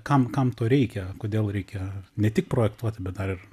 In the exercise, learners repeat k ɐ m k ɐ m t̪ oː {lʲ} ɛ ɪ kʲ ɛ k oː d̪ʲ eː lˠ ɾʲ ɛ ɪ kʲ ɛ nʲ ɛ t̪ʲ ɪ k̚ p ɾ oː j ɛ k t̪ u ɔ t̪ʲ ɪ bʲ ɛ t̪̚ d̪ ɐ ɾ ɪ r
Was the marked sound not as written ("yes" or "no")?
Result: yes